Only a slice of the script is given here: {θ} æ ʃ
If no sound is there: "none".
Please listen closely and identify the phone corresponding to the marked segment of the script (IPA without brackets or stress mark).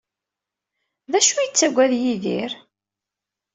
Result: ð